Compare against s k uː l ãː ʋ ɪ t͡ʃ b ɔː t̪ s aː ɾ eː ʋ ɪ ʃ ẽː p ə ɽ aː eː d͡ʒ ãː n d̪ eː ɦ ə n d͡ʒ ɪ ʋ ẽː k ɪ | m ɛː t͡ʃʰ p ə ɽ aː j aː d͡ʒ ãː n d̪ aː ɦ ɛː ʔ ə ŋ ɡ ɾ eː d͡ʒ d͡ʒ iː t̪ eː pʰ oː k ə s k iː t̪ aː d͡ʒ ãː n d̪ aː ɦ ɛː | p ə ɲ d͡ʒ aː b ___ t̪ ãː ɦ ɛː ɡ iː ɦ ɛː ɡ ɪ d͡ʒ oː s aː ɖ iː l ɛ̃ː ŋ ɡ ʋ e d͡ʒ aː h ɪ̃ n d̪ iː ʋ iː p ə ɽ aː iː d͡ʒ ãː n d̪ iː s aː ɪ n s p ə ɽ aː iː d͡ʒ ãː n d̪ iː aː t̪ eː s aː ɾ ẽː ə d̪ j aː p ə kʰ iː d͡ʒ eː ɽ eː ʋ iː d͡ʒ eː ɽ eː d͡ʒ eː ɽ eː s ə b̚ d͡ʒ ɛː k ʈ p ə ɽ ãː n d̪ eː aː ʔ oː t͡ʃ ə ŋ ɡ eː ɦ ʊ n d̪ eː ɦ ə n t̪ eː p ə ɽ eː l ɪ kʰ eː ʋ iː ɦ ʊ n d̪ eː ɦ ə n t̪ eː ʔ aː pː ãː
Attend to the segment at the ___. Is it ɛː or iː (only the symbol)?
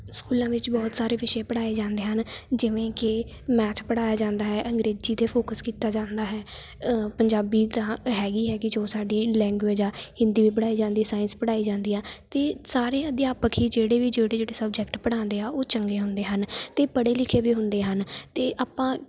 iː